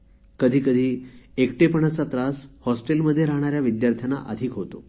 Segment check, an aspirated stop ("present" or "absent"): present